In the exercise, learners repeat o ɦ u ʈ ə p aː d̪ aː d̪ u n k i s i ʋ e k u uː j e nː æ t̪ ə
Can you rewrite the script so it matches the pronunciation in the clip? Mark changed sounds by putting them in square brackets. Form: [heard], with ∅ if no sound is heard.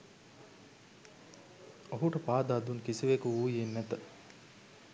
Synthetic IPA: o ɦ u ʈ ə p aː d̪ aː d̪ u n k i s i ʋ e k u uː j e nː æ t̪ ə